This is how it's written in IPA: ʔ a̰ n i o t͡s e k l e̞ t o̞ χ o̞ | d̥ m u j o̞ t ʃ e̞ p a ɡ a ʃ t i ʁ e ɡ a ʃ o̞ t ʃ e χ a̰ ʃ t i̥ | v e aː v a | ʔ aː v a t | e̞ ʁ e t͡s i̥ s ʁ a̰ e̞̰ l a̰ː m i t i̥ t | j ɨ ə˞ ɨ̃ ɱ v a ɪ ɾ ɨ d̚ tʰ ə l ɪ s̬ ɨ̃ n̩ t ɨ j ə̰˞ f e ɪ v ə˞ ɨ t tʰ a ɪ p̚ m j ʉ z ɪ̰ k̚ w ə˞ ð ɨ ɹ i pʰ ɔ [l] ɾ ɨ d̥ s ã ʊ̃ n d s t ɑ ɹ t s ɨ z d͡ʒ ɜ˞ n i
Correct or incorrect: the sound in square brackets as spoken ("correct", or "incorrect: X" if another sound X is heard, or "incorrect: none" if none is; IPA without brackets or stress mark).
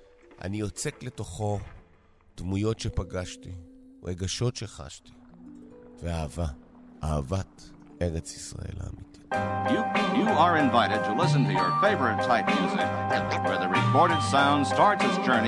incorrect: ɹ